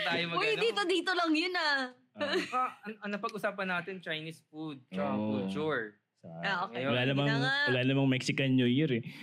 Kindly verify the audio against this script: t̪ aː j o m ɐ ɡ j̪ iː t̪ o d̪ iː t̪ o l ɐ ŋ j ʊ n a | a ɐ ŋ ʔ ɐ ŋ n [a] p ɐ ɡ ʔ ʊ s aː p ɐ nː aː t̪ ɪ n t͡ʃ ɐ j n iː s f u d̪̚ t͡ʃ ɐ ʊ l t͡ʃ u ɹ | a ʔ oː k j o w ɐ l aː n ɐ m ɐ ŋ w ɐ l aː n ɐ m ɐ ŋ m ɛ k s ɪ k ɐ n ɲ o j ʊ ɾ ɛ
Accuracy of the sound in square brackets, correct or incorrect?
incorrect